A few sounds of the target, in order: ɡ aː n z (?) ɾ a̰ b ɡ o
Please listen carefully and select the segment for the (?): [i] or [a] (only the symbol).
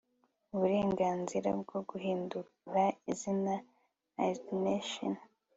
i